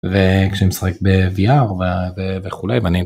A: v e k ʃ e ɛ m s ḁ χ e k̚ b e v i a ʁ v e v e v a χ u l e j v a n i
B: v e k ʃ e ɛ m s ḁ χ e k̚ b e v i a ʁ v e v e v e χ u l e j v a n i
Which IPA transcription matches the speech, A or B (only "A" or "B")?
B